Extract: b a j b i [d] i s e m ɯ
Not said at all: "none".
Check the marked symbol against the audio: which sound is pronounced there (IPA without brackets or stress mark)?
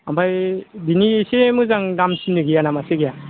n